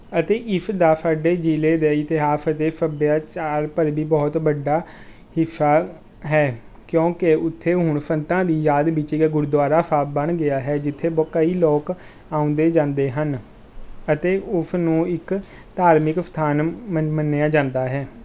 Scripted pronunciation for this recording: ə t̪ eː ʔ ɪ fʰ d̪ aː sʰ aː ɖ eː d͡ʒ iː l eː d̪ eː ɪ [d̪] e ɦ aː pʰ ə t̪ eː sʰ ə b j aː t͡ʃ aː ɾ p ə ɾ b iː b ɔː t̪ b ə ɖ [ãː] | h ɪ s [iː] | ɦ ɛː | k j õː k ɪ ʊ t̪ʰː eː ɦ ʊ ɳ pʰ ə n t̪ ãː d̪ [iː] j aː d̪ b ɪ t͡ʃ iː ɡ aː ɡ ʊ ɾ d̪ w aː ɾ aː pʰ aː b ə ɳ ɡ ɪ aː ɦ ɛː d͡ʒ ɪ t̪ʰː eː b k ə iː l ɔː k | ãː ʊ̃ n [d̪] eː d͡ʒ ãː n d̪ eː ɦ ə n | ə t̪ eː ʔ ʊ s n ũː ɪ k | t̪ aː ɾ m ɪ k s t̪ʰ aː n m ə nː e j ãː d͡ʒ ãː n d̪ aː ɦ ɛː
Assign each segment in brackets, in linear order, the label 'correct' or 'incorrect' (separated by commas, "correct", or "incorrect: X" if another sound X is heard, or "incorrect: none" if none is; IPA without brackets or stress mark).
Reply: incorrect: t̪, incorrect: aː, incorrect: aː, correct, correct